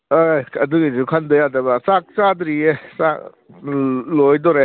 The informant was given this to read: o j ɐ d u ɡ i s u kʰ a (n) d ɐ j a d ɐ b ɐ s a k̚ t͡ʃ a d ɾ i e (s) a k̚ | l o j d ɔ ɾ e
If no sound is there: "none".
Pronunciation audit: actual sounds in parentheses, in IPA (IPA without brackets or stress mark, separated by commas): n, s